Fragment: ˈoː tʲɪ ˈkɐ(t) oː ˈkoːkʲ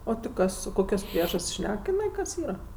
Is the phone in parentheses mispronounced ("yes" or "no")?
yes